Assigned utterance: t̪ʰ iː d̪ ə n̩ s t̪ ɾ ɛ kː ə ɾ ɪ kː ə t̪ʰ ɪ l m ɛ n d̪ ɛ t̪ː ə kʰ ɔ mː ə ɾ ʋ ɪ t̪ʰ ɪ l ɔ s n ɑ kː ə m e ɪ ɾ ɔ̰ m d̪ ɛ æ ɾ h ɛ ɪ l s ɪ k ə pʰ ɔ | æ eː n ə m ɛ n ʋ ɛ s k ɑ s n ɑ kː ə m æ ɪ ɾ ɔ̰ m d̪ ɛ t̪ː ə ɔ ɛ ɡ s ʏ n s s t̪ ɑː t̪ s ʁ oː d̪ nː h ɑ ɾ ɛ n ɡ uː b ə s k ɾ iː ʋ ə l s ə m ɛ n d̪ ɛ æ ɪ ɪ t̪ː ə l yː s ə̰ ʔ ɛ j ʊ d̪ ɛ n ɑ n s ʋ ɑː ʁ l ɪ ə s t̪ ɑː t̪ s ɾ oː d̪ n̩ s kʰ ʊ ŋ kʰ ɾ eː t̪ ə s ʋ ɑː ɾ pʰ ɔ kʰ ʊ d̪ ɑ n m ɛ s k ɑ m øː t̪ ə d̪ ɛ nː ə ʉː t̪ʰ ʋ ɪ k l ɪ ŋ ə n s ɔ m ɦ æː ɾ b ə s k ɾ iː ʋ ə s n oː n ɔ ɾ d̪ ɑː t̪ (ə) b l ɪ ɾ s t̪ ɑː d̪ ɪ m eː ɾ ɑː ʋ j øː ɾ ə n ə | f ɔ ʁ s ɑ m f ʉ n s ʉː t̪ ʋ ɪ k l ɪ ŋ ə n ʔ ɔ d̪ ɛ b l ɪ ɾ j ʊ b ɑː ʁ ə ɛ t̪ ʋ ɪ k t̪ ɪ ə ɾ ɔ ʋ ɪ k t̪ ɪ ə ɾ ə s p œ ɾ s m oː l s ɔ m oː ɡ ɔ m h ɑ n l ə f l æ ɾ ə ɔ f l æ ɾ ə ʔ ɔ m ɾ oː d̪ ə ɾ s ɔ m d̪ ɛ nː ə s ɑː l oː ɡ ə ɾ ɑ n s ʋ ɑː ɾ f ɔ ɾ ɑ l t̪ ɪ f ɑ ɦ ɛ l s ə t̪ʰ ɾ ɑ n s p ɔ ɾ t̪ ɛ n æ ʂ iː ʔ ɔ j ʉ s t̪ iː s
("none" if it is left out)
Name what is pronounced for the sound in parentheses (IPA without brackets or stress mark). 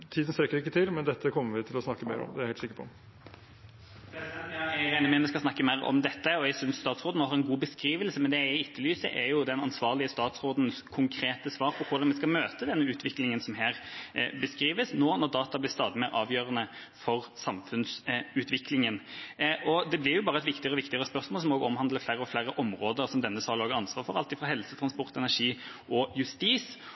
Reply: ɑ